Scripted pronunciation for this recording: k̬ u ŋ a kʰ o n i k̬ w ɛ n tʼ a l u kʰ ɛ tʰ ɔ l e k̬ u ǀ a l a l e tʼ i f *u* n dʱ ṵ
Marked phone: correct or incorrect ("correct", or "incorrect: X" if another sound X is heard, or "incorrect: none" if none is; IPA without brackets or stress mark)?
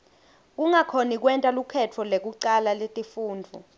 incorrect: uː